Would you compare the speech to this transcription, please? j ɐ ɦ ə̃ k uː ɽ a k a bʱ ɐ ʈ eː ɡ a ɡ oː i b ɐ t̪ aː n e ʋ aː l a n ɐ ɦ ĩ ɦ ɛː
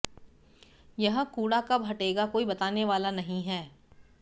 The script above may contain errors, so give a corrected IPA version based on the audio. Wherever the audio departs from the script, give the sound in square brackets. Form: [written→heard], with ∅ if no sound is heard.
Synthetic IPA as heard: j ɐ ɦ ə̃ k uː ɽ a k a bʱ ɐ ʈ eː ɡ a [ɡ→k] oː i b ɐ t̪ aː n e ʋ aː l a n ɐ ɦ ĩ ɦ ɛː